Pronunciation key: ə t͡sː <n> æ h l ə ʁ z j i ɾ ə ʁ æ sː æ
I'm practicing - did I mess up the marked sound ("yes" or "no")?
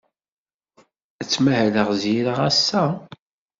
yes